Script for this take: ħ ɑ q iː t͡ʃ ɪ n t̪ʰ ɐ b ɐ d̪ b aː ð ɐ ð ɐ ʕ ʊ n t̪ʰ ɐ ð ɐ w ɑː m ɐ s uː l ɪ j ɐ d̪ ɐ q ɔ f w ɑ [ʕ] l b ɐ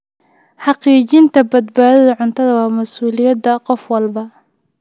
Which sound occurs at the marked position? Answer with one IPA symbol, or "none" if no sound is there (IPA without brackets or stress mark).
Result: none